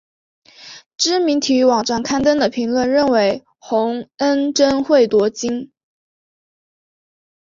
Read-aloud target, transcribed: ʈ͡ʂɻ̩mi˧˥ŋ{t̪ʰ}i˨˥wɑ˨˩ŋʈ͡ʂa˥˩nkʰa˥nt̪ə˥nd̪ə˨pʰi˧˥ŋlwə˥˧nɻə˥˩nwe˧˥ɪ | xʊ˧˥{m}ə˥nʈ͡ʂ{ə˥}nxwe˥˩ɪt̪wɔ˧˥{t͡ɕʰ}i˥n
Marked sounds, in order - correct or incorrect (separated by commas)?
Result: correct, incorrect, correct, incorrect